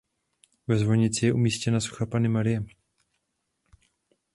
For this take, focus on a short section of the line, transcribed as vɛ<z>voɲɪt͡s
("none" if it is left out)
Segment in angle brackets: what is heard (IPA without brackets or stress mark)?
z